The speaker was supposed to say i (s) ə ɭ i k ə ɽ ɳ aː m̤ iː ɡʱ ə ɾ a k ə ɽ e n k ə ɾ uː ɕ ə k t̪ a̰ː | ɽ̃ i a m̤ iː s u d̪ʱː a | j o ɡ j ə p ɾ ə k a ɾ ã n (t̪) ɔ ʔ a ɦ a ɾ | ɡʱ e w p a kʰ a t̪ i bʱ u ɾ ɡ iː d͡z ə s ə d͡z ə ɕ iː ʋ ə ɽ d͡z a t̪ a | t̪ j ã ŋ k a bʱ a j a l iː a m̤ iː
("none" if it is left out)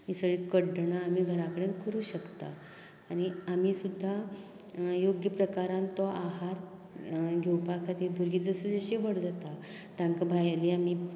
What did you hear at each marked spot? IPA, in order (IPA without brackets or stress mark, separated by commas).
s, t̪